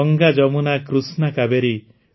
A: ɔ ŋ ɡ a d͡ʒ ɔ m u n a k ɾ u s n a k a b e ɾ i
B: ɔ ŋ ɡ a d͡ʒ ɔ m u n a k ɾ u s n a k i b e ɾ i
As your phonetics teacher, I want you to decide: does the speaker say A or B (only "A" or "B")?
A